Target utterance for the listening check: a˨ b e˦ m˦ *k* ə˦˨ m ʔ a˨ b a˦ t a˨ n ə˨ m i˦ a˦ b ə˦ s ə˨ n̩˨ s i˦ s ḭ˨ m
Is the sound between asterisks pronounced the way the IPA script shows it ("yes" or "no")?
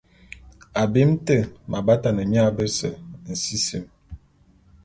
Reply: no